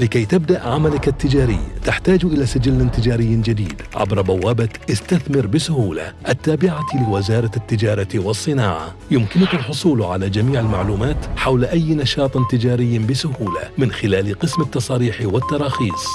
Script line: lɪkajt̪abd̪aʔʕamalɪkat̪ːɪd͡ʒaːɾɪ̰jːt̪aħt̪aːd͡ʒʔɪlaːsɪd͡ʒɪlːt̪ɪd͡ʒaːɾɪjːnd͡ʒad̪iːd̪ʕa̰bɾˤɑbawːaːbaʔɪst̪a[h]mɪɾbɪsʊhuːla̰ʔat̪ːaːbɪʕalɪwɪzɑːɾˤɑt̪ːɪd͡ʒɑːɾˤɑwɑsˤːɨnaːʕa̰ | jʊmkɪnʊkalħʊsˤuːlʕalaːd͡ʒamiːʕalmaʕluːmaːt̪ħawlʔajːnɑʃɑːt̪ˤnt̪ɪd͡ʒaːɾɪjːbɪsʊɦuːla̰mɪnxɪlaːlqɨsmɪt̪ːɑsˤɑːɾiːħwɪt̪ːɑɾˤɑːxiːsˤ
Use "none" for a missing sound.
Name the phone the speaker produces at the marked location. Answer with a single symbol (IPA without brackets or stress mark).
θ